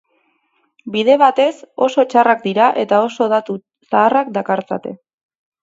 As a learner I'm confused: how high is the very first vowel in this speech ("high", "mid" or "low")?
high